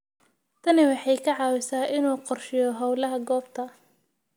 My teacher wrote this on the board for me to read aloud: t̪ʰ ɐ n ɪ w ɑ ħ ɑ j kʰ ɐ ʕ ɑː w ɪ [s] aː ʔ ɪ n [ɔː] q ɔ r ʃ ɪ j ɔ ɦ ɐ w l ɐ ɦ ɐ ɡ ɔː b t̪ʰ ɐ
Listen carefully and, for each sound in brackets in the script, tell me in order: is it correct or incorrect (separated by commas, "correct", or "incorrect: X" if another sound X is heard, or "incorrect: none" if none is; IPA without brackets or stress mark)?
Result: correct, incorrect: uː